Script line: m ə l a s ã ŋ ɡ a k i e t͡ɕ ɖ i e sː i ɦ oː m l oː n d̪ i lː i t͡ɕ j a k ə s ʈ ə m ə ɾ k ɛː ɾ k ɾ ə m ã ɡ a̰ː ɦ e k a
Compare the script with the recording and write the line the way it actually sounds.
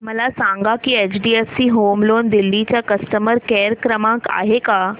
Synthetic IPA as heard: m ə l a s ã ŋ ɡ a k i e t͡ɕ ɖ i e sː i ɦ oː m l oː n d̪ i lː i t͡ɕ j a k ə s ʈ ə m ə ɾ k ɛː ɾ k ɾ ə m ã k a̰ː ɦ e k a